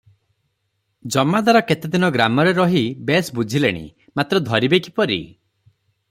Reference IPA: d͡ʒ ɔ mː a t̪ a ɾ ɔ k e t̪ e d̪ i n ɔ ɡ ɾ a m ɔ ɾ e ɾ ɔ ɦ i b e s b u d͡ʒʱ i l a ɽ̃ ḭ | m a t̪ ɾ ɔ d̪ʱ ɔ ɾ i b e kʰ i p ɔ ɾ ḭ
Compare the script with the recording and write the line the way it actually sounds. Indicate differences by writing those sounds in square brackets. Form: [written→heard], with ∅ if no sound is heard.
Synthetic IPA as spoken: d͡ʒ ɔ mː a [t̪→d̪] a ɾ ɔ k e t̪ e d̪ i n ɔ ɡ ɾ a m ɔ ɾ e ɾ ɔ ɦ i b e s b u d͡ʒʱ i l [a→e] ɽ̃ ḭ | m a t̪ ɾ ɔ d̪ʱ ɔ ɾ i b e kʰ i p ɔ ɾ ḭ